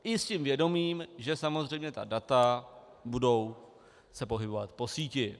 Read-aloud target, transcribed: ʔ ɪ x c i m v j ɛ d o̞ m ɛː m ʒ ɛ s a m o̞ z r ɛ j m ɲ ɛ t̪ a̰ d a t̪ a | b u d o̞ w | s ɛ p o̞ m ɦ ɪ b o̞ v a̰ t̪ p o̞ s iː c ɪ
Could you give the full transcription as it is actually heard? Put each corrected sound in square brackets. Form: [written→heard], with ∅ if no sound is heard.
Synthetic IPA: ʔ ɪ [x→s] c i m v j ɛ d o̞ m [ɛː→iː] m ʒ ɛ s a m o̞ z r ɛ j m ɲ ɛ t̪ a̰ d a t̪ a | b u d o̞ w | s ɛ p o̞ [m→∅] ɦ ɪ b o̞ v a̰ t̪ p o̞ s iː c ɪ